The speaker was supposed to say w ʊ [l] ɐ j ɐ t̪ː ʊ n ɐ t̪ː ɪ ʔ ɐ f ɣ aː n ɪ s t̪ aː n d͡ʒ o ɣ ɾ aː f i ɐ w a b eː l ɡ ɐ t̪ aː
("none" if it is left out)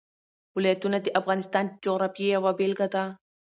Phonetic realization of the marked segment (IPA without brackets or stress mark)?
l